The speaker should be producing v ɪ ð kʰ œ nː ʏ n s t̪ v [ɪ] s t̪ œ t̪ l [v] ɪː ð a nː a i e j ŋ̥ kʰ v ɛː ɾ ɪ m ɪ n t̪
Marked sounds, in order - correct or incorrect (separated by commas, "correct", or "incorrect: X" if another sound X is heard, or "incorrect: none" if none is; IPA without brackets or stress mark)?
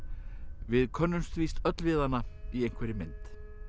incorrect: i, correct